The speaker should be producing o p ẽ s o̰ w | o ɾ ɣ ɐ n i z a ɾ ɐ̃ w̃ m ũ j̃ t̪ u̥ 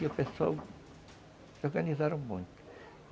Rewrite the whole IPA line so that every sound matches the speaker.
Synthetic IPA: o p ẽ s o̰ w | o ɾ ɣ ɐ n i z a ɾ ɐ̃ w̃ m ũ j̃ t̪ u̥